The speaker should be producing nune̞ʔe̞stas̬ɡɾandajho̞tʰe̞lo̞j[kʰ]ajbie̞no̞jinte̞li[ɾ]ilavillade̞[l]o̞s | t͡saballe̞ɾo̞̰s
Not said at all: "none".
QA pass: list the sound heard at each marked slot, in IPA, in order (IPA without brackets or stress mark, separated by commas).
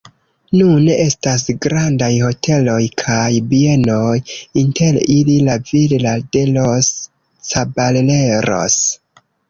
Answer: kʰ, l, l